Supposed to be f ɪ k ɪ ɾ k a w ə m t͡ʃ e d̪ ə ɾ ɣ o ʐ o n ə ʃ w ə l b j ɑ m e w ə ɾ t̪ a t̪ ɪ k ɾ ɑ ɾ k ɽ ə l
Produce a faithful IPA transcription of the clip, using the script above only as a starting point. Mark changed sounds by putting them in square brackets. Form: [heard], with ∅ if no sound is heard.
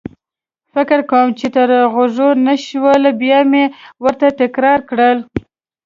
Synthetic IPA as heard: f ɪ k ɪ ɾ k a w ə m t͡ʃ e [t̪] ə ɾ ɣ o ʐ o n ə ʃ w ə l b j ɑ m e w ə ɾ t̪ a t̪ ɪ k ɾ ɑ ɾ k ɽ ə l

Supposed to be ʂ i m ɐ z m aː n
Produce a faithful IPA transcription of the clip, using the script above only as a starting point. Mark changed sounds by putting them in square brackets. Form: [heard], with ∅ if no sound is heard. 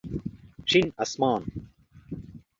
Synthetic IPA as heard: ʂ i [n] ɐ [s] m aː n

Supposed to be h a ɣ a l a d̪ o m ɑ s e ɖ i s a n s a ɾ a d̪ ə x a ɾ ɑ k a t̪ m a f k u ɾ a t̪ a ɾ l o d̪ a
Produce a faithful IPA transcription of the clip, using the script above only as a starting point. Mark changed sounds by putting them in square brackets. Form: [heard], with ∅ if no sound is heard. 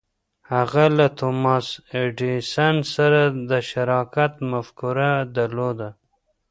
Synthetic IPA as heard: h a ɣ a l a [t̪] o m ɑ s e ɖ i s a n s a ɾ a d̪ ə [ʃ] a ɾ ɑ k a t̪ m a f k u ɾ a [d̪] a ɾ l o d̪ a

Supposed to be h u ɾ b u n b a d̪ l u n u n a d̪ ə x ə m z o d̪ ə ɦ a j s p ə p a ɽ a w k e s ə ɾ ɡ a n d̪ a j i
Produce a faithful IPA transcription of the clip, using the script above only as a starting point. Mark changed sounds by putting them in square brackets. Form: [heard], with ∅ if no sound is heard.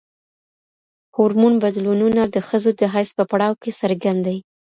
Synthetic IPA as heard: h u ɾ [m] u n b a d̪ l u n u n a d̪ ə x ə [∅] z o d̪ ə ɦ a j s p ə p a ɽ [ɑ] w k e s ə ɾ ɡ a n d̪ a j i

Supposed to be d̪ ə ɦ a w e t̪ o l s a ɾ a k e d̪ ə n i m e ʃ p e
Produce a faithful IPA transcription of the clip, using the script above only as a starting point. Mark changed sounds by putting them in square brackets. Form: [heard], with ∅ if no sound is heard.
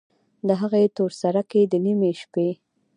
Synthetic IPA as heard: d̪ ə ɦ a [ɣ] e t̪ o [ɾ] s a ɾ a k e d̪ ə n i m e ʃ p e

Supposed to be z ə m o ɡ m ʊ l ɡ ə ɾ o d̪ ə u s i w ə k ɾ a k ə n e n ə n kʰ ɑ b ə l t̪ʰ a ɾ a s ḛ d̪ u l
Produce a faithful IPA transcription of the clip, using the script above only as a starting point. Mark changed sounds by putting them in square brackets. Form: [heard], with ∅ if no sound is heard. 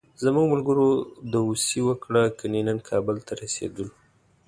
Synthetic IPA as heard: z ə m [u] ɡ m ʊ l ɡ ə ɾ o d̪ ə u s i w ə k [ɽ] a k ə n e n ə n kʰ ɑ b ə l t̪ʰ a ɾ a s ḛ d̪ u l

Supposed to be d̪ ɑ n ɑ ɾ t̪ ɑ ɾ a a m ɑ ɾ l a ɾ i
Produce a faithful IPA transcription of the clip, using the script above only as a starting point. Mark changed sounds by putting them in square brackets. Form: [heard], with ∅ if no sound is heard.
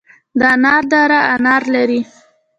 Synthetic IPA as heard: d̪ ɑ n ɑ ɾ [d̪] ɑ ɾ a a [n] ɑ ɾ l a ɾ i

